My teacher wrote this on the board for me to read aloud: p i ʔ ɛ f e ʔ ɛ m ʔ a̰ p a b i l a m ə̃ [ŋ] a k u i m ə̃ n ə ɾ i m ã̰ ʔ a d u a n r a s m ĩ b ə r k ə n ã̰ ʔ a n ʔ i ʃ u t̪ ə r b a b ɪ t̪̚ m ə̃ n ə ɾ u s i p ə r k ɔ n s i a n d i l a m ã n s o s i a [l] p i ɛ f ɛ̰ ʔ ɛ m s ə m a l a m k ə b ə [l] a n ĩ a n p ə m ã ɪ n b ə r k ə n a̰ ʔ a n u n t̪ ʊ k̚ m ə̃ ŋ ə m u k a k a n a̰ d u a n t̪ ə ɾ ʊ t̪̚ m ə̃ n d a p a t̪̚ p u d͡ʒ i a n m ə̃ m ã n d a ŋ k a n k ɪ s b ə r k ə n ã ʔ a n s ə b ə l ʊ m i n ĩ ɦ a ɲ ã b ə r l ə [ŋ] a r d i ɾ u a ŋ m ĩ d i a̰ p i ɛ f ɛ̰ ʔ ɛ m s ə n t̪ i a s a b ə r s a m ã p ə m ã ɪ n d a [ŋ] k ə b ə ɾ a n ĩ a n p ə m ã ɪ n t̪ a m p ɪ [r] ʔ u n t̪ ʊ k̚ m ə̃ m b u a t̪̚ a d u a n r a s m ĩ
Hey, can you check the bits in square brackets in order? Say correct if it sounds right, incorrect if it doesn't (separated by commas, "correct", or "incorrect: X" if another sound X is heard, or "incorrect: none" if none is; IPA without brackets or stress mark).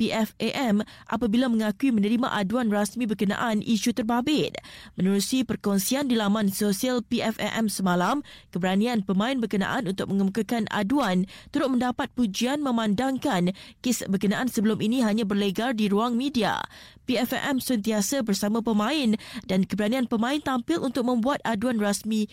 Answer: correct, correct, incorrect: ɾ, incorrect: ɡ, incorrect: n, incorrect: l